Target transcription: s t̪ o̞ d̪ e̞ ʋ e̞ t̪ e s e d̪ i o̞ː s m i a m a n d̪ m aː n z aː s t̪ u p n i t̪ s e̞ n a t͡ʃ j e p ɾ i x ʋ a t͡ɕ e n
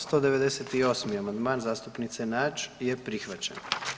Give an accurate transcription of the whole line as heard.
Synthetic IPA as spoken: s t̪ o̞ d̪ e̞ ʋ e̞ d̪ e s e t̪ i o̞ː s m i a m a n d̪ m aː n z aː s t̪ u p n i t̪ s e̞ n a t͡ʃ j e p ɾ i x ʋ a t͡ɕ e n